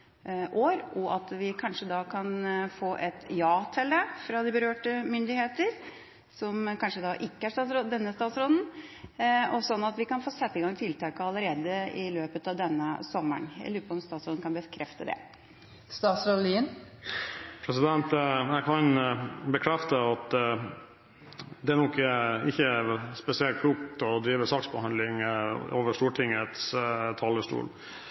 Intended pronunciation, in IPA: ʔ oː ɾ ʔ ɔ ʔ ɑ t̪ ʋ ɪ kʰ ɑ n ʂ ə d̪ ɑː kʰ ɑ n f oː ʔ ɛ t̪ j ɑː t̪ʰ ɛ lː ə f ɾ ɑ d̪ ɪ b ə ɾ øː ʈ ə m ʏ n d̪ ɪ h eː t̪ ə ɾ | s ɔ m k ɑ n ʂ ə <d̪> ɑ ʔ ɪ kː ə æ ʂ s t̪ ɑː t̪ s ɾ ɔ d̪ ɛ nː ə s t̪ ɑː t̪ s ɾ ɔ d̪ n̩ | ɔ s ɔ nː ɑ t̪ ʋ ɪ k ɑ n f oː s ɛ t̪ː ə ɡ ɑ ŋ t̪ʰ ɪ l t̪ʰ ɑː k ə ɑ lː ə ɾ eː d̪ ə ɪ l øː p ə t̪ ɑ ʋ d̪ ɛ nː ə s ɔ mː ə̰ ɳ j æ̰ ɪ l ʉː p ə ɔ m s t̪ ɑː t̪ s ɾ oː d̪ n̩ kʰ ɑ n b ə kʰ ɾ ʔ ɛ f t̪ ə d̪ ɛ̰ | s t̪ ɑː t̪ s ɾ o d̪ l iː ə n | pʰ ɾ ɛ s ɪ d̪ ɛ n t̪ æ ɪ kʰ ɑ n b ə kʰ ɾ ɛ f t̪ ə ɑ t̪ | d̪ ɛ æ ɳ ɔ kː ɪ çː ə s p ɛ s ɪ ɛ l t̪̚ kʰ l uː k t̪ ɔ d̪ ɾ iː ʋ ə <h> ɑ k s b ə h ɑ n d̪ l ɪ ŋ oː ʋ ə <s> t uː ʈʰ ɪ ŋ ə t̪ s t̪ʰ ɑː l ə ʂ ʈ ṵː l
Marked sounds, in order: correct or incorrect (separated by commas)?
correct, incorrect, incorrect